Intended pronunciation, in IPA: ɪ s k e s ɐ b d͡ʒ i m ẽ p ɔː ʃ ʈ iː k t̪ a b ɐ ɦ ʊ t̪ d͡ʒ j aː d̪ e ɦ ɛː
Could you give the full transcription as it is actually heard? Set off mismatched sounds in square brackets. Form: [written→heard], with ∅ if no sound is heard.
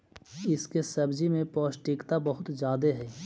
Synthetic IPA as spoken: ɪ s k e s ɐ b d͡ʒ i m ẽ p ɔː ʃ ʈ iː k t̪ a b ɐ ɦ ʊ t̪ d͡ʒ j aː d̪ e ɦ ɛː